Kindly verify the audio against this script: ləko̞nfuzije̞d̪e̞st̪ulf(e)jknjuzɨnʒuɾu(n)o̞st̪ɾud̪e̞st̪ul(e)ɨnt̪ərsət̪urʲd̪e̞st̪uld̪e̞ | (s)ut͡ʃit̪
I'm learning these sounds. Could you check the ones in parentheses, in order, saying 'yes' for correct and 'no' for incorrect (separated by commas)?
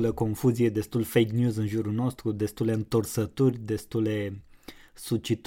yes, yes, yes, yes